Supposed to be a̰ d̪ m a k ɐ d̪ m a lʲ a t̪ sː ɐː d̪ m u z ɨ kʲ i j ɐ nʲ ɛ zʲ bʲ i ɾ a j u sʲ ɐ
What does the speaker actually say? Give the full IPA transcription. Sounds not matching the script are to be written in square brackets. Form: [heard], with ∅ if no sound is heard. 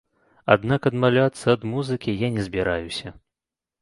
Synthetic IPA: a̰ d̪ [n] a k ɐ d̪ m a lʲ a t̪ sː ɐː d̪ m u z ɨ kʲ i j [a] nʲ ɛ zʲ bʲ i ɾ a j u sʲ ɐ